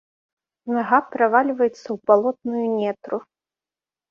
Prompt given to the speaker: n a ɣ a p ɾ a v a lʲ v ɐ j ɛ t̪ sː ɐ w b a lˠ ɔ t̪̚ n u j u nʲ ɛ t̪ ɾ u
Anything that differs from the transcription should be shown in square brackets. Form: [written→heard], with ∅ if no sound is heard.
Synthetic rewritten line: n a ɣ a p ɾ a v a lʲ v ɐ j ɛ t̪ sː ɐ w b a lˠ ɔ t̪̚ n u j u nʲ ɛ t̪ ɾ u